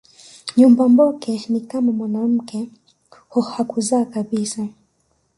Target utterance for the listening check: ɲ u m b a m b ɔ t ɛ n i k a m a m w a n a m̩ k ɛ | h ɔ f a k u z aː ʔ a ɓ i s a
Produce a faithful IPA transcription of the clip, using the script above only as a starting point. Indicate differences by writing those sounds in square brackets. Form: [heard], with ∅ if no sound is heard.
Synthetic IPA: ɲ u m b a m b ɔ [k] ɛ n i k a m a m w a n a m̩ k ɛ | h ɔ [h] a k u z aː [k] a ɓ i s a